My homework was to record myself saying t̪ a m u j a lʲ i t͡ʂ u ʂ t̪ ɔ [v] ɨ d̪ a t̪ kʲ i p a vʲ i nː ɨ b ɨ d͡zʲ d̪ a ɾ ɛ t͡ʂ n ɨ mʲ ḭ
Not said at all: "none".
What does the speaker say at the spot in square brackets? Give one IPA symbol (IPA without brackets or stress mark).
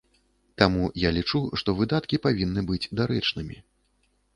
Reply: v